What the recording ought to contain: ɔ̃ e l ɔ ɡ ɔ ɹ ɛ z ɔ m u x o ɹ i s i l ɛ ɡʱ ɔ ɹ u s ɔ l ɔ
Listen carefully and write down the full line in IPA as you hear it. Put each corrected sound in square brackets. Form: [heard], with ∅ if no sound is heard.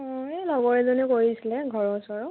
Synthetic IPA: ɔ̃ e l ɔ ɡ ɔ ɹ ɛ z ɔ [n] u [k] o ɹ i s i l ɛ ɡʱ ɔ ɹ [ɔ] s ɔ [ɹ] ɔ